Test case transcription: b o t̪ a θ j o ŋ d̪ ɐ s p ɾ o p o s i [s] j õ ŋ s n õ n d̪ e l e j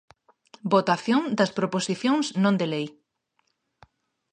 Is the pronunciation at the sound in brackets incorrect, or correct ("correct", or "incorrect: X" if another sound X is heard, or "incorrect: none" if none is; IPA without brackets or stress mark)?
incorrect: θ